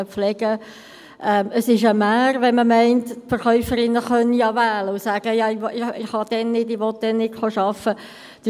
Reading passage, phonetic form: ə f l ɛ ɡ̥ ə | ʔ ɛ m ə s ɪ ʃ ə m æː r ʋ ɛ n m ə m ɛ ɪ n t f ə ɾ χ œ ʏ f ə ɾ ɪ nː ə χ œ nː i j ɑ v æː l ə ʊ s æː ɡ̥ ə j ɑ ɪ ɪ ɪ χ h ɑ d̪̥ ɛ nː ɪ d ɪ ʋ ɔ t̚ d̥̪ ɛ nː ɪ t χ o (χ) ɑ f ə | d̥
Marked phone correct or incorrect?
incorrect